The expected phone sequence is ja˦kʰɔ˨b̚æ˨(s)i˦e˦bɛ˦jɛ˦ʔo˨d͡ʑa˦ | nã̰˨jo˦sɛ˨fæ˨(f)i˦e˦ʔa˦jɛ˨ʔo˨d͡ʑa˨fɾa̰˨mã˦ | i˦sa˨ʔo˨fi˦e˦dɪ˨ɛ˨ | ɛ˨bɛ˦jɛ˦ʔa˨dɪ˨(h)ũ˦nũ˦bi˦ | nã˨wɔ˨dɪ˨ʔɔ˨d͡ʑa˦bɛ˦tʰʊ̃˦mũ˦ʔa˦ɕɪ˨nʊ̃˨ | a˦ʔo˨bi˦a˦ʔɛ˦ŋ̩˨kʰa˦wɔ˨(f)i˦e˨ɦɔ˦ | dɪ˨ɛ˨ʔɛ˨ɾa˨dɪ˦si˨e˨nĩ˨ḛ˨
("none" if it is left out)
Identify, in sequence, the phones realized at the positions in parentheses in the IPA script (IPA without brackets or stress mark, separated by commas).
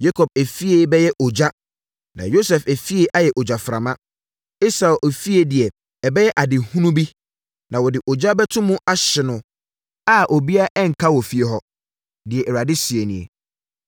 f, f, h, f